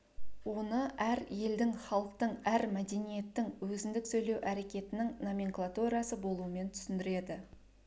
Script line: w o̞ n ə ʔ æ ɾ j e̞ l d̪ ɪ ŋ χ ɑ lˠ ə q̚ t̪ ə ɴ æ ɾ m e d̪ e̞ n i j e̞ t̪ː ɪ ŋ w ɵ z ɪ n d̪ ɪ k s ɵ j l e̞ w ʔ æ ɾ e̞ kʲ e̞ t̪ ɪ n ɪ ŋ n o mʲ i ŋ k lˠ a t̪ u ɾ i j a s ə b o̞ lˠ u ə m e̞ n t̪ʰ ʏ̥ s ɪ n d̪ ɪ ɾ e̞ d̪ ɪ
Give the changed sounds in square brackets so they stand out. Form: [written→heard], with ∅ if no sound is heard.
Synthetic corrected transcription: w o̞ n ə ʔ æ ɾ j e̞ l d̪ ɪ ŋ χ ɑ lˠ ə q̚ t̪ ə ɴ æ ɾ m [e→æ] d̪ e̞ n i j e̞ t̪ː ɪ ŋ w ɵ z ɪ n d̪ ɪ k s ɵ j l e̞ w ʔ æ ɾ e̞ kʲ e̞ t̪ ɪ n ɪ ŋ n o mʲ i ŋ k lˠ a t̪ u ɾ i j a s ə b o̞ lˠ u ə m e̞ n t̪ʰ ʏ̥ s ɪ n d̪ ɪ ɾ e̞ d̪ ɪ